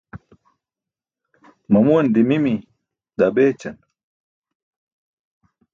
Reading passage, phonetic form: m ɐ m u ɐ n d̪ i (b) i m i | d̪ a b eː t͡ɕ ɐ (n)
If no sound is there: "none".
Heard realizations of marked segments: m, n

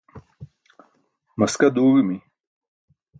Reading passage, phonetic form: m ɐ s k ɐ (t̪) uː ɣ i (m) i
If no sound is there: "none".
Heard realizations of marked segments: d̪, m

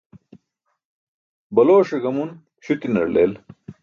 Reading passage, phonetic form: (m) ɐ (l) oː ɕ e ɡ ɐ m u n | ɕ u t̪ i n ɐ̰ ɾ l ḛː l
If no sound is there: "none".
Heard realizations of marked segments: b, l

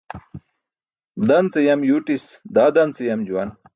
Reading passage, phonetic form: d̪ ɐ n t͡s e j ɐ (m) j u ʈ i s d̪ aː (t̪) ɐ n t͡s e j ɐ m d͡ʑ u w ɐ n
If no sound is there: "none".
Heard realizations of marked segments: m, d̪

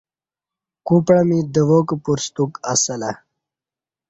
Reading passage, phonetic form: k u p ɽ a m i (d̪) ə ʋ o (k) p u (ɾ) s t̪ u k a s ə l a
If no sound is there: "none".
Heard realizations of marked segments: d̪, k, ɾ

